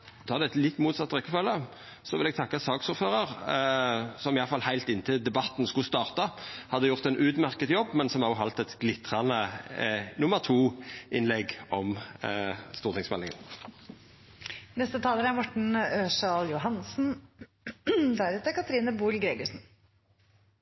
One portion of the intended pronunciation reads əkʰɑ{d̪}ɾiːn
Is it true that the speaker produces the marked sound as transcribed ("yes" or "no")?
no